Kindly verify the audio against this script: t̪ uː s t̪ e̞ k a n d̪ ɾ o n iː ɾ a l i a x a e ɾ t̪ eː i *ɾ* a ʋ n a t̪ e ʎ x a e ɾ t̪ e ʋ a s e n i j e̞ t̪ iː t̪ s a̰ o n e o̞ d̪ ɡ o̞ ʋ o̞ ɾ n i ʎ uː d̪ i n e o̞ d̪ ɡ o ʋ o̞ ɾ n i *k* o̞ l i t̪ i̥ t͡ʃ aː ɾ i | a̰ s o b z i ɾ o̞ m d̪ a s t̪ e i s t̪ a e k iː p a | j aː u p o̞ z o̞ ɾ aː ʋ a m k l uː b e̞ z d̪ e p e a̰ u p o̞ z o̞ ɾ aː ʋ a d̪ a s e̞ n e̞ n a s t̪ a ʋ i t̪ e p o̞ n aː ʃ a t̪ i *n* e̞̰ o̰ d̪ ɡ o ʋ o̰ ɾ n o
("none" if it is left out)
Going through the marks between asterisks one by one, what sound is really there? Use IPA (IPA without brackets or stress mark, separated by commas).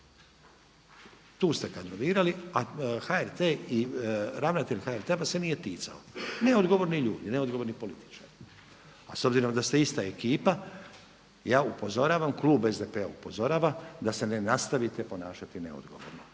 ɾ, p, n